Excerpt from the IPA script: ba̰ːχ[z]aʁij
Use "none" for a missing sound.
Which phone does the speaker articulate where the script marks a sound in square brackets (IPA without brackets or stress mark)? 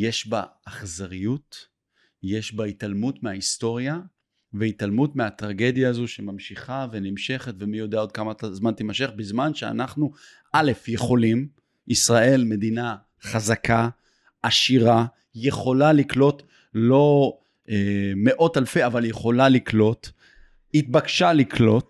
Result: z